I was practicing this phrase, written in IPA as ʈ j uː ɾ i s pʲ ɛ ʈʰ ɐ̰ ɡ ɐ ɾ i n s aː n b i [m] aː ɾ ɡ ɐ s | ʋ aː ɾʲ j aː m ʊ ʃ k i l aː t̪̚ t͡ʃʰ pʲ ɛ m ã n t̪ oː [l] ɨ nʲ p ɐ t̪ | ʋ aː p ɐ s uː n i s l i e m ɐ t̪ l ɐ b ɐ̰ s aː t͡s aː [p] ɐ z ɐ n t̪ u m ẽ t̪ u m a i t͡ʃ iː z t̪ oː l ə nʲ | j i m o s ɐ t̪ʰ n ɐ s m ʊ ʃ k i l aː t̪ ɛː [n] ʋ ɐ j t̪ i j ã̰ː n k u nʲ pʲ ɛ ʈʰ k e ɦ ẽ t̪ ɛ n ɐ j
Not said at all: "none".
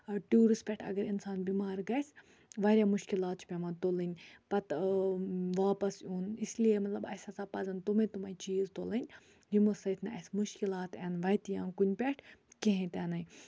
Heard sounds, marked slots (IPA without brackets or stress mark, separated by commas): m, l, p, n